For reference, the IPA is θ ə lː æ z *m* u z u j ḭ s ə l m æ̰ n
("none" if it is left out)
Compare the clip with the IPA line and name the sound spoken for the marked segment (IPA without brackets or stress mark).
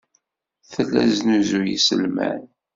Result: n